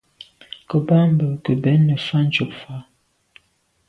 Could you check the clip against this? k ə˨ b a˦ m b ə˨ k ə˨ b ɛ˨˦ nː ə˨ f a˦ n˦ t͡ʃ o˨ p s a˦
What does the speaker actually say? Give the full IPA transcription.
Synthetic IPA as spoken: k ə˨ b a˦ m b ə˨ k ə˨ b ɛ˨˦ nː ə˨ f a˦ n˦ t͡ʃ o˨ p f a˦